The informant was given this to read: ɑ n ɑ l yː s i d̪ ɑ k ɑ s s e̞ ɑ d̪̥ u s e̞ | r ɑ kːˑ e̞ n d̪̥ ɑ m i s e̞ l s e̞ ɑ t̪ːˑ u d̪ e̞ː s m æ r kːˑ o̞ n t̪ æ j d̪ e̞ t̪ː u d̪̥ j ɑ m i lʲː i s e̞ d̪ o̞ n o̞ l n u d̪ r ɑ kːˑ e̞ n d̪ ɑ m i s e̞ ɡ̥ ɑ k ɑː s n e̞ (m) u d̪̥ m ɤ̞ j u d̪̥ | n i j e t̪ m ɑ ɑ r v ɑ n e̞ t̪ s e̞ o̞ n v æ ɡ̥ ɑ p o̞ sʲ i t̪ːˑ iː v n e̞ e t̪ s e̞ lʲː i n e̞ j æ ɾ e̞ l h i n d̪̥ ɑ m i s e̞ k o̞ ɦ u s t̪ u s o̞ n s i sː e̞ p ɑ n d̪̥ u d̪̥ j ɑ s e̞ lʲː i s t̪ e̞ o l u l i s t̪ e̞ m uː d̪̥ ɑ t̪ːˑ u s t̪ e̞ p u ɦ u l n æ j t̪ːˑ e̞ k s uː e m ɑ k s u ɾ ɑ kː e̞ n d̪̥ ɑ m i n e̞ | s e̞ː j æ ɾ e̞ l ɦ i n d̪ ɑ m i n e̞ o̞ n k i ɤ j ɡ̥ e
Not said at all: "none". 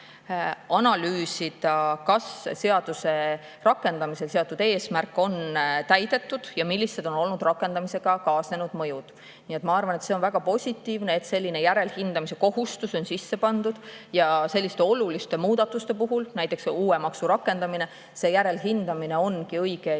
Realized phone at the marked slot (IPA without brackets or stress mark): n